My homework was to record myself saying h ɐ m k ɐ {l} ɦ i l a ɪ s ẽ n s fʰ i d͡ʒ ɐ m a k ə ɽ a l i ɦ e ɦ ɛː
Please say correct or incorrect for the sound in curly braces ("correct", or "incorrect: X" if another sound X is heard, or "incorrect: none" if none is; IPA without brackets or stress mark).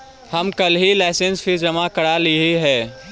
correct